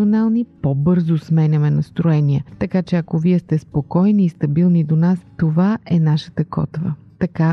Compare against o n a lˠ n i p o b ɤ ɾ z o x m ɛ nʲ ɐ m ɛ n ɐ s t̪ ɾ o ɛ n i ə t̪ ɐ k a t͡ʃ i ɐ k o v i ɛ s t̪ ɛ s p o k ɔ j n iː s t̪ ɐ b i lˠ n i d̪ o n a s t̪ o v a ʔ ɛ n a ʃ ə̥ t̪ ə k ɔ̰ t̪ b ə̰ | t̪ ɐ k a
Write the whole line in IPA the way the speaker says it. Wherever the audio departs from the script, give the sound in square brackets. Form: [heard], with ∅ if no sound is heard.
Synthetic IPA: o n a lˠ n i p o b ɤ ɾ z o [s] m ɛ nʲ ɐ m ɛ n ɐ s t̪ ɾ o ɛ n i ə t̪ ɐ k a t͡ʃ [ɛ] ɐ k o v i ɛ s t̪ ɛ s p o k ɔ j n iː s t̪ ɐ b i lˠ n i d̪ o n a s t̪ o v a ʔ ɛ n a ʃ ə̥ t̪ ə k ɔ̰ t̪ [v] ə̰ | t̪ ɐ k a